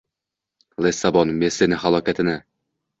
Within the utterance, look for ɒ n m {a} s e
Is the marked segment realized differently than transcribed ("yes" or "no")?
yes